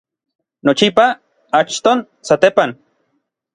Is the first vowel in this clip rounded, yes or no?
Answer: yes